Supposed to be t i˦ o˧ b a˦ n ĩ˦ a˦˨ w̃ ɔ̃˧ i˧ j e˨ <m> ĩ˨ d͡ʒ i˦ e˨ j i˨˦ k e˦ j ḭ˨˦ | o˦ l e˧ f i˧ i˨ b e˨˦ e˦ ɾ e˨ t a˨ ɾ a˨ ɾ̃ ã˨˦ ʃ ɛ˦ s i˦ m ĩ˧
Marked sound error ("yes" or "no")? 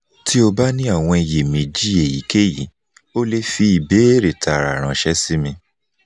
no